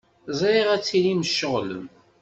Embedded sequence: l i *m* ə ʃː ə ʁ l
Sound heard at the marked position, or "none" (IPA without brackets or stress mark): m